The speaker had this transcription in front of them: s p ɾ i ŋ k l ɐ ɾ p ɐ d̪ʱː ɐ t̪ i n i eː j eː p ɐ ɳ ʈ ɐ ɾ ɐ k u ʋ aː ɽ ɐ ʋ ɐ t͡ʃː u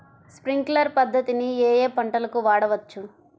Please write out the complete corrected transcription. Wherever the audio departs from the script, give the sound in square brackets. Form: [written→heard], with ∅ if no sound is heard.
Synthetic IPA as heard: s p ɾ i ŋ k l ɐ ɾ p ɐ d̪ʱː ɐ t̪ i n i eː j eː p ɐ ɳ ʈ ɐ [ɾ→l] ɐ k u ʋ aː ɽ ɐ ʋ ɐ t͡ʃː u